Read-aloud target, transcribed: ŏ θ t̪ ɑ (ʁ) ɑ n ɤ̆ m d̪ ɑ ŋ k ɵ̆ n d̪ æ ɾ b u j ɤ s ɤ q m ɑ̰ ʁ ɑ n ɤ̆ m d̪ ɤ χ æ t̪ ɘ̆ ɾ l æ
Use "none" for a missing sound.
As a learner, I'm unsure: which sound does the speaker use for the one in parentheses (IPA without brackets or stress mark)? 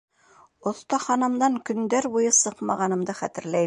χ